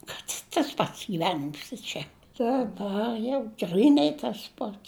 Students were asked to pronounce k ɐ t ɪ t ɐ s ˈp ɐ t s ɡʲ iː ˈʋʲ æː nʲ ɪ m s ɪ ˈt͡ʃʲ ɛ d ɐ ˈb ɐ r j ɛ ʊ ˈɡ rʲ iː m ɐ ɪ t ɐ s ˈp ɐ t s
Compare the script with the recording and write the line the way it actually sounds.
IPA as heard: k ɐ t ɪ t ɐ s ˈp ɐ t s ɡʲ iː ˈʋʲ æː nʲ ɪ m s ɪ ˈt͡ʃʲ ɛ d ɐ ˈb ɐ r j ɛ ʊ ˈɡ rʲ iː n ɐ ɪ t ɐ s ˈp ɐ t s